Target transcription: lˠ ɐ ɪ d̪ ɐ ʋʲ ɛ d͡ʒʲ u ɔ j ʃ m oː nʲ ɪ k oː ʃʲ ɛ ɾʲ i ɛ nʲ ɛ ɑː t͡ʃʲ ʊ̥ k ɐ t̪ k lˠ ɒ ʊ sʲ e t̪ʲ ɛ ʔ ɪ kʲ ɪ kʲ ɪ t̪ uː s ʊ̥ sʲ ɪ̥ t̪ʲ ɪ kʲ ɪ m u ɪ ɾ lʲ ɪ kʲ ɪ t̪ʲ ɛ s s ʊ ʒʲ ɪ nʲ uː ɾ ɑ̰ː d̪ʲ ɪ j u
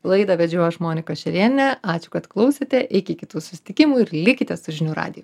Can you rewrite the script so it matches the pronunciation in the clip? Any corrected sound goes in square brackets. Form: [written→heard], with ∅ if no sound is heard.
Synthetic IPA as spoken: lˠ ɐ ɪ d̪ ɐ ʋʲ ɛ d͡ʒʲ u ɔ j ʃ m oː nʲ ɪ k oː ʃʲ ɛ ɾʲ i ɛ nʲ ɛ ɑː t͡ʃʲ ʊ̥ k ɐ t̪ k lˠ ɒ ʊ sʲ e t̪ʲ ɛ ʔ ɪ kʲ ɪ kʲ ɪ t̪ uː s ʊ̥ sʲ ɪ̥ t̪ʲ ɪ kʲ ɪ m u ɪ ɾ lʲ ɪ kʲ ɪ t̪ʲ ɛ s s ʊ ʒʲ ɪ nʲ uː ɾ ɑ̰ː d̪ʲ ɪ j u